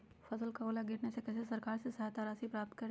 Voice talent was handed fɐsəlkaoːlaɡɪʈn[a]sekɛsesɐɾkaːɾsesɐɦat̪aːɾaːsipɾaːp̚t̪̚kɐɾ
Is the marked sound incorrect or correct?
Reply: incorrect